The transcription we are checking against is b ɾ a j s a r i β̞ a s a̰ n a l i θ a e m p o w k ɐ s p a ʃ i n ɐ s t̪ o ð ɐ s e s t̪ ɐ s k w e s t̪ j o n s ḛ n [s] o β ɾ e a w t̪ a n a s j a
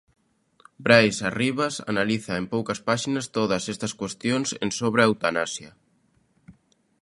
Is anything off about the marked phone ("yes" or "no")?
no